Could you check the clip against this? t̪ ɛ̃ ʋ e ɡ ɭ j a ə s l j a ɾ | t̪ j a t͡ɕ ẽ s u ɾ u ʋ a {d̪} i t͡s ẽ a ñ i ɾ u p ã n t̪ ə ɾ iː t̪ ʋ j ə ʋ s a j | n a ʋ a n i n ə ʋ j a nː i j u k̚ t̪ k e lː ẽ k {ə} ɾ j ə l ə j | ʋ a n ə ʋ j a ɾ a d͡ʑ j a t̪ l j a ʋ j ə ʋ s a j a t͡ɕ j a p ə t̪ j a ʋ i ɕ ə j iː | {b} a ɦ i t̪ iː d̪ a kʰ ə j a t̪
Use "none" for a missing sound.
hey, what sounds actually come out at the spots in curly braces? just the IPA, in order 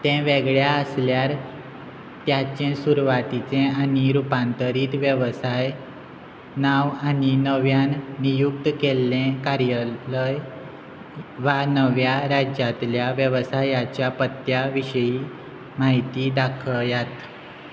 t̪, a, m

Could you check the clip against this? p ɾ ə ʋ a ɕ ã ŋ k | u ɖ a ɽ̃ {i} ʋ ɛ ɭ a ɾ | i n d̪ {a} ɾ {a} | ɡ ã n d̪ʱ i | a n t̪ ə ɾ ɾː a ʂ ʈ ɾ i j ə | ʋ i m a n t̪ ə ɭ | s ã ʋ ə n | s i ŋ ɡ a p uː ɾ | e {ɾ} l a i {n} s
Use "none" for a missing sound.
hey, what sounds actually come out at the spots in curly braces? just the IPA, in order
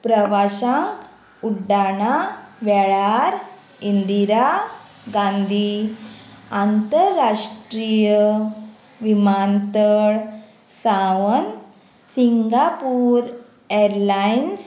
a, i, a, ɾ, n

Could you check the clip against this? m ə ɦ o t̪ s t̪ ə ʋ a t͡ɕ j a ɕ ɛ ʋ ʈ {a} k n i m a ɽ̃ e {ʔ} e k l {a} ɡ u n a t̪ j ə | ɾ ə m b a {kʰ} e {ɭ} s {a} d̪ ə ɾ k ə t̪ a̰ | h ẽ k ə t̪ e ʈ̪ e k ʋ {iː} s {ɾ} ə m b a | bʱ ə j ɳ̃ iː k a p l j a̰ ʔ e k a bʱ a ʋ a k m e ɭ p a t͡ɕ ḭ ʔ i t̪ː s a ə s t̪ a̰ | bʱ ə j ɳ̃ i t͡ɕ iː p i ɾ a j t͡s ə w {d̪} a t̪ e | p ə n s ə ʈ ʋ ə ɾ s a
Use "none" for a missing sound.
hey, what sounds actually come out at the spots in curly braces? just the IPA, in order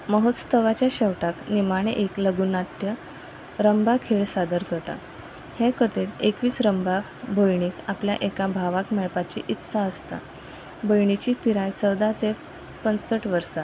a, ʔ, ə, kʰ, ɭ, a, iː, ɾ, d̪

